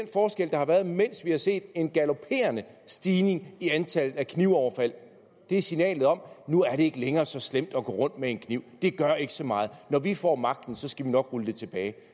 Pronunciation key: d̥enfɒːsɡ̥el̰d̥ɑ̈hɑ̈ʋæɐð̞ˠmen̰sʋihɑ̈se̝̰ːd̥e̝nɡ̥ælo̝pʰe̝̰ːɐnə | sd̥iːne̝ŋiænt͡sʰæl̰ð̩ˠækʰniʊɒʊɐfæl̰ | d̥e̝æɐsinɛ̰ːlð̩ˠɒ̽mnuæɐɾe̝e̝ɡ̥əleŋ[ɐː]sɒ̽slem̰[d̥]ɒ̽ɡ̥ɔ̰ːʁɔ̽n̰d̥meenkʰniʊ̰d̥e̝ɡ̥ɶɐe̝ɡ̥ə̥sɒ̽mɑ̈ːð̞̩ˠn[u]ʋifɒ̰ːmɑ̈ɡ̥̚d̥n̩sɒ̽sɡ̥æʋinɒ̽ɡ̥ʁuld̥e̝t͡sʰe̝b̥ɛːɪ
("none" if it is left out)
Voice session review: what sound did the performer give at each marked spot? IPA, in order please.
ɐː, d̥, ɒ

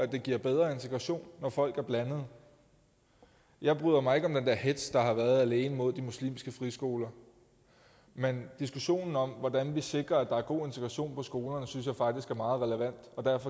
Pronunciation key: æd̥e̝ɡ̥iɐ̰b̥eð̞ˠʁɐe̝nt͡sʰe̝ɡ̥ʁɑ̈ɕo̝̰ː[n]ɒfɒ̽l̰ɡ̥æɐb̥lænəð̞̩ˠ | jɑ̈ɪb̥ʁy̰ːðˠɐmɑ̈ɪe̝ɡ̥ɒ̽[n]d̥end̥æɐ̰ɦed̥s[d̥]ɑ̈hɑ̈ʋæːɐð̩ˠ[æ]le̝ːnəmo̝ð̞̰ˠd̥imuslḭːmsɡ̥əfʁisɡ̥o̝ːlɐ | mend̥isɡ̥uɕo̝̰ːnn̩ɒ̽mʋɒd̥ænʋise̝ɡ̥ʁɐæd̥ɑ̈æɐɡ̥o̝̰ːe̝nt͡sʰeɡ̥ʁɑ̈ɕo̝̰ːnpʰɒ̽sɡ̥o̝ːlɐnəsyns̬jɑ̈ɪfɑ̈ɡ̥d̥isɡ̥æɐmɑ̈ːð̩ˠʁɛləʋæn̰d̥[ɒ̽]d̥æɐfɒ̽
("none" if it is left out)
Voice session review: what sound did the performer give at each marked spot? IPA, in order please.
nː, m, d̥, æ, ɒ̽

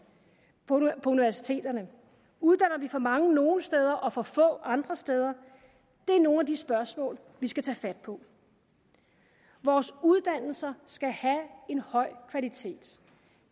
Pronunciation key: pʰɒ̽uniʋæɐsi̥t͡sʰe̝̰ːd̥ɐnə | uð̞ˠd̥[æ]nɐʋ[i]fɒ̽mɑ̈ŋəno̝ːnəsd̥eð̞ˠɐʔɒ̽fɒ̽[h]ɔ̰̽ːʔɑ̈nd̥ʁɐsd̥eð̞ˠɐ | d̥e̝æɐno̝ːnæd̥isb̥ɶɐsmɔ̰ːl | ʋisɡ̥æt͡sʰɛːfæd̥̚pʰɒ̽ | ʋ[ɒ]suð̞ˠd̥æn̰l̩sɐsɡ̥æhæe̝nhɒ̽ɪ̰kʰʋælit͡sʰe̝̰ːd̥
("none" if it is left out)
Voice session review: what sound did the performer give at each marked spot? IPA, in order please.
æ, i, f, ɒː

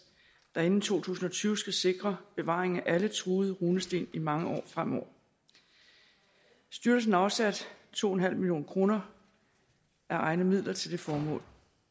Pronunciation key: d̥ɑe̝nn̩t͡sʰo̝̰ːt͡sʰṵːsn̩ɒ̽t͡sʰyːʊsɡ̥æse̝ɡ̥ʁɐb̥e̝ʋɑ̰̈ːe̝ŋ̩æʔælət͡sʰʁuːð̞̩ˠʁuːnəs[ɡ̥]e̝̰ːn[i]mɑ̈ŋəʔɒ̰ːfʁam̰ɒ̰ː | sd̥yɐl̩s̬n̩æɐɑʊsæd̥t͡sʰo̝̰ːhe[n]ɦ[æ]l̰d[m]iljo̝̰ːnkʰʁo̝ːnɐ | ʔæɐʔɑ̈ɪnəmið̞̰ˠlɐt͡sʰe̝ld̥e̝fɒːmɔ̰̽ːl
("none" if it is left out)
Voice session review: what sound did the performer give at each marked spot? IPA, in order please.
d̥, i, n, æ, m

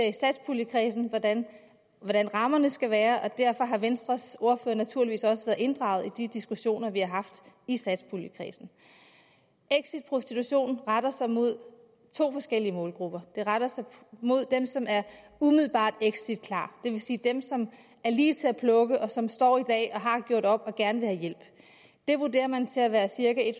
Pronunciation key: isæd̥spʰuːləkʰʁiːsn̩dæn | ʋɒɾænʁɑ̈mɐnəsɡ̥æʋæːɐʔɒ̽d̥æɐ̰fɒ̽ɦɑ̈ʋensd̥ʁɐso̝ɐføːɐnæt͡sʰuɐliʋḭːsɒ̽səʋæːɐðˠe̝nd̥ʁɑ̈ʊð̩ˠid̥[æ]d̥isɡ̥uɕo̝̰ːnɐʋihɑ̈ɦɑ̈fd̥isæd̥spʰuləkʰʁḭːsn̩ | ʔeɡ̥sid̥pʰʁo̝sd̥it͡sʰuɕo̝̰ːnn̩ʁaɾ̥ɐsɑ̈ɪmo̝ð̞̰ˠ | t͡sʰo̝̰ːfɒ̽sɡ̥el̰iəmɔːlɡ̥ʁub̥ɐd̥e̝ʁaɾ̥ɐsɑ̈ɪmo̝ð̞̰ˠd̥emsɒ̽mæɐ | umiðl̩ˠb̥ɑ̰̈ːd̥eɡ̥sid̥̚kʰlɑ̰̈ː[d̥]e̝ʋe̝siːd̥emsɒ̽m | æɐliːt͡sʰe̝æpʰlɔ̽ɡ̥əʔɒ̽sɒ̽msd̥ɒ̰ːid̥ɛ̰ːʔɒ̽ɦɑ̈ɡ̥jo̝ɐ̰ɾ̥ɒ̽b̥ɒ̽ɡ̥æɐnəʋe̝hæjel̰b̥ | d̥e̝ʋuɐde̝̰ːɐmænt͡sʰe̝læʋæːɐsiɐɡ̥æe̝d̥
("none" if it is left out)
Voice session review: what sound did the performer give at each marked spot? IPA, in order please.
i, d̥

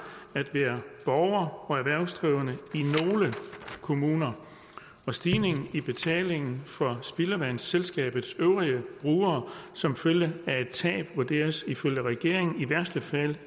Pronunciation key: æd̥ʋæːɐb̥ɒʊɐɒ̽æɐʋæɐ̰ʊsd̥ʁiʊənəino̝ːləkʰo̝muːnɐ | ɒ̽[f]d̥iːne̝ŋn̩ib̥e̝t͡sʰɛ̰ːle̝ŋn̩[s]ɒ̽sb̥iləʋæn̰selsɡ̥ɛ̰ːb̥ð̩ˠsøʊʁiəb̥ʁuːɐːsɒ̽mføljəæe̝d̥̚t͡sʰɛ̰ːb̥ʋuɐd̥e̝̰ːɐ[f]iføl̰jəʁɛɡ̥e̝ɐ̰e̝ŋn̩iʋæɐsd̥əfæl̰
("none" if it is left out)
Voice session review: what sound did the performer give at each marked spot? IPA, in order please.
s, f, s

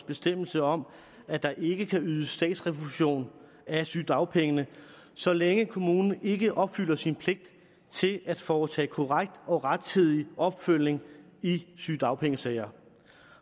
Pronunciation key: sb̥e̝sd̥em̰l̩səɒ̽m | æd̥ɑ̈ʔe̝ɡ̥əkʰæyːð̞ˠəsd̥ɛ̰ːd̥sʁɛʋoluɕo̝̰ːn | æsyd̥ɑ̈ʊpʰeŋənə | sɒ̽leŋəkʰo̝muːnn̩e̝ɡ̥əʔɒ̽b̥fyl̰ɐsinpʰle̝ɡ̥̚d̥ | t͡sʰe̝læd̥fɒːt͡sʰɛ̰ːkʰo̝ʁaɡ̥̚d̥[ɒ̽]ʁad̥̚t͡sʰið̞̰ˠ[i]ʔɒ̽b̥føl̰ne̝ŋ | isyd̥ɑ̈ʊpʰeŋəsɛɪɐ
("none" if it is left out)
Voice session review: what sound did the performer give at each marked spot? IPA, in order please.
ɒ̽, i

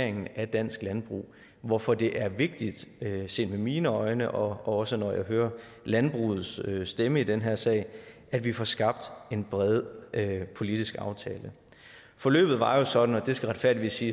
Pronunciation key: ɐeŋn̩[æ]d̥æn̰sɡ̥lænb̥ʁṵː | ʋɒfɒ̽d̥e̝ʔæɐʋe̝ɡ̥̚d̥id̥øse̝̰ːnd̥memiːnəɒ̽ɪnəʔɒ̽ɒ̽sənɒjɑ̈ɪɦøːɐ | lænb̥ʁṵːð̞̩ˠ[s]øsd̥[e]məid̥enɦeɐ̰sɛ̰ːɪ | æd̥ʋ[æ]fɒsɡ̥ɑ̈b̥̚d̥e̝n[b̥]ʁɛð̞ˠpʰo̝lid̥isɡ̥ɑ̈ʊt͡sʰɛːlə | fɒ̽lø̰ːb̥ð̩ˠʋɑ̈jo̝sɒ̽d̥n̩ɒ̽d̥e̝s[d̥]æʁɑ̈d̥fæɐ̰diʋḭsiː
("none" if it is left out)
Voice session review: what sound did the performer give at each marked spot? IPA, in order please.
æ, s, e, i, b̥, ɡ̥

